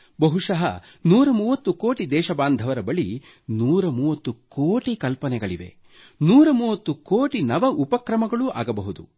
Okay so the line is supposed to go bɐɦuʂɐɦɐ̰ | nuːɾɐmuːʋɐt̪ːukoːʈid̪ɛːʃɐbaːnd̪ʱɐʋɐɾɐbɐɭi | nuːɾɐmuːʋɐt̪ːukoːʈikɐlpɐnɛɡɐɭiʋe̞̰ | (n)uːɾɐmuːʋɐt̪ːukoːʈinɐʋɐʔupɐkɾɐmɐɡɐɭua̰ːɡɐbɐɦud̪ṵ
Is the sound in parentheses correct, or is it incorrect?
correct